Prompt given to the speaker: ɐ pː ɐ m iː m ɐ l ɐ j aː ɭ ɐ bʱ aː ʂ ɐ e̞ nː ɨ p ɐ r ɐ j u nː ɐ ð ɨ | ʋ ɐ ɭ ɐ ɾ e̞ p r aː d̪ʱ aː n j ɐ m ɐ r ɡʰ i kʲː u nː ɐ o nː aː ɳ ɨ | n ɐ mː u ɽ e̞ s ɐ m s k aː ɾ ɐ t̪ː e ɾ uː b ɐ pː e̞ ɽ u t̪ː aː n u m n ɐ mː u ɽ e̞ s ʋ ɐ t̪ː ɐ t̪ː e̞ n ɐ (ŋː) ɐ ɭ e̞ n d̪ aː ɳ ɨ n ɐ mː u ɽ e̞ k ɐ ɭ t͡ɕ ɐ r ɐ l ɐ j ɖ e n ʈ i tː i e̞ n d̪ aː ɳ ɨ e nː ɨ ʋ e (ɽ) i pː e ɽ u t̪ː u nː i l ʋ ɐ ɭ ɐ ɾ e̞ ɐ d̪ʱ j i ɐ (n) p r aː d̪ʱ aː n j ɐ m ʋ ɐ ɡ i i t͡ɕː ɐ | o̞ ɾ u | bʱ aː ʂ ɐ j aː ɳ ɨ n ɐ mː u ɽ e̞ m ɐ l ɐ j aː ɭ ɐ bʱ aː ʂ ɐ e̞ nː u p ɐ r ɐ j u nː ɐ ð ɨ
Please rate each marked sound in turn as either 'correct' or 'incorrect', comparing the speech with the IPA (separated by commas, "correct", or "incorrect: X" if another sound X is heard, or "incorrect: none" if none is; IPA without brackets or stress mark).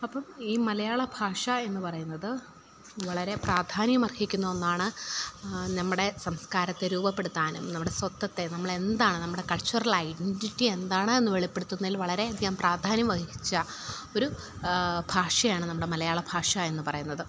incorrect: mː, incorrect: ɭ, incorrect: m